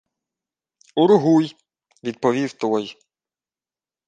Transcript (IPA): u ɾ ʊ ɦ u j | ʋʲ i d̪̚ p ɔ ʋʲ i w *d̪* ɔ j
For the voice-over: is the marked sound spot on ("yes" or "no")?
no